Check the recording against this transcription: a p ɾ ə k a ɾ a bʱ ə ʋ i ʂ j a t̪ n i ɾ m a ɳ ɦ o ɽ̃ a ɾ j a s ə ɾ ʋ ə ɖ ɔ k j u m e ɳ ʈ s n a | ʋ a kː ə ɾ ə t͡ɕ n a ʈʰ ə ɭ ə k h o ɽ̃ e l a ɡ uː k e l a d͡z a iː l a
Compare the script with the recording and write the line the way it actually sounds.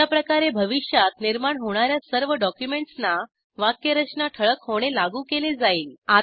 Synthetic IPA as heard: a p ɾ ə k a ɾ e bʱ ə ʋ i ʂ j a t̪ n i ɾ m a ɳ ɦ o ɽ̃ a ɾ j a s ə ɾ ʋ ə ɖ ɔ k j u m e ɳ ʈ s n a | ʋ a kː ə ɾ ə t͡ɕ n a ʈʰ ə ɭ ə k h o ɽ̃ e l a ɡ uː k e l e d͡z a iː l a

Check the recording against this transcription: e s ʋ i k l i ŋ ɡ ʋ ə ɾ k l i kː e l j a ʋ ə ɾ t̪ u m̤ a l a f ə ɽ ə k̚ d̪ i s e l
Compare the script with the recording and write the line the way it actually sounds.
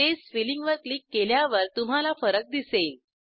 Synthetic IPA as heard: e s ʋ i l i ŋ ɡ ʋ ə ɾ k l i kː e l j a ʋ ə ɾ t̪ u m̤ a l a f ə ɾ ə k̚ d̪ i s e l

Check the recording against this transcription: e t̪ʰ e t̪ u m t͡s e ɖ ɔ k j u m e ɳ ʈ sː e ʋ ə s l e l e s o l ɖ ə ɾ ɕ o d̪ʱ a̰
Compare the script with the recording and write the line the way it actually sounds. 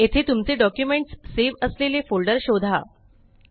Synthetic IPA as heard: e t̪ʰ e t̪ u m t͡s e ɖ ɔ k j u m e ɳ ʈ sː e ʋ ə s l e l e f o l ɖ ə ɾ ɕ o d̪ʱ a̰

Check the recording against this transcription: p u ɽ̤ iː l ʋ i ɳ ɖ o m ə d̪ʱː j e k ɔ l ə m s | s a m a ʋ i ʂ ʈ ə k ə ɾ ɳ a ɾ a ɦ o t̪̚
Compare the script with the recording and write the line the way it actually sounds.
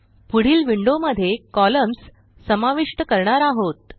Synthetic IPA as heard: p u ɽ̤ iː l ʋ i ɳ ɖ o m ə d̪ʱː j e k ɔ l ə m s | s ə m a ʋ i ʂ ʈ ə k ə ɾ ɳ a ɾ a ɦ o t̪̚

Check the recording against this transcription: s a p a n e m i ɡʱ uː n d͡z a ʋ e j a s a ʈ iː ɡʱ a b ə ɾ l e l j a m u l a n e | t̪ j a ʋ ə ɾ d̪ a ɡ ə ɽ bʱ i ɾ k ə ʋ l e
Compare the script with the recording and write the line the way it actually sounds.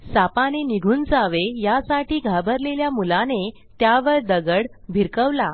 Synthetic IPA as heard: s a p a n e n i ɡʱ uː n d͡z a ʋ e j a s a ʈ iː ɡʱ a b ə ɾ l e l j a m u l a n e | t̪ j a ʋ ə ɾ d̪ ə ɡ ə ɽ bʱ i ɾ k ə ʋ l a

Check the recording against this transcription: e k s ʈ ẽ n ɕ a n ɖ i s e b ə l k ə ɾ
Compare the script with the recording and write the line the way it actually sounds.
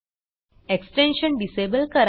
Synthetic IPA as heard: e k s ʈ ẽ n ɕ ə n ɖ i s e b ə l k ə ɾ

